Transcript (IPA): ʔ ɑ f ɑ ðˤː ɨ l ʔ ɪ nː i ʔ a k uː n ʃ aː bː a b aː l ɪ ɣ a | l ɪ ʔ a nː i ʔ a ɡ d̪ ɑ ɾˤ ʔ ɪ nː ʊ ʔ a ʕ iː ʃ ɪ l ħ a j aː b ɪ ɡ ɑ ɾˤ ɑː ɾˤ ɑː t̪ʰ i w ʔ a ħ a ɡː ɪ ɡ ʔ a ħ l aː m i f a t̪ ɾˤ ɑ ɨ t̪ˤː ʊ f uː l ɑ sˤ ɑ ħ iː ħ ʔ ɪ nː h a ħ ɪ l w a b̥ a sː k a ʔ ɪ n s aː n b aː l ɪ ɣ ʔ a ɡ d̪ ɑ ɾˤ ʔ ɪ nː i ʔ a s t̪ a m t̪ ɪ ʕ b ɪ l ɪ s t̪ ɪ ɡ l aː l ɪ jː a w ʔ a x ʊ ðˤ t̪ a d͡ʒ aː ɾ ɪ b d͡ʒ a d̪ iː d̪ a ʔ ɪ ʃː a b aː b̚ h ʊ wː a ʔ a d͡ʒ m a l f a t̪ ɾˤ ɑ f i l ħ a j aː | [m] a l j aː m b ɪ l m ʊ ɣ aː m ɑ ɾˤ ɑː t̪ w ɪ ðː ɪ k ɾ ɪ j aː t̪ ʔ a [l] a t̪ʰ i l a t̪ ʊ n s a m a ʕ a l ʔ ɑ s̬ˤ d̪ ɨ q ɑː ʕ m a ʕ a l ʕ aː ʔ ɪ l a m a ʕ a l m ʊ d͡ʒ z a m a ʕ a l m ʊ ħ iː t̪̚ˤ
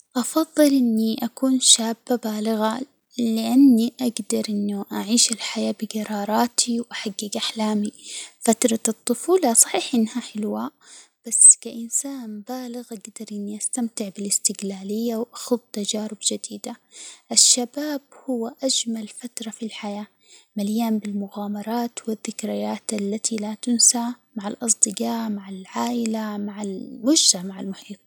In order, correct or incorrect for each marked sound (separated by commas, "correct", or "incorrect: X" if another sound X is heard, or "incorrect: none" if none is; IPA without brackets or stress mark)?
correct, incorrect: lː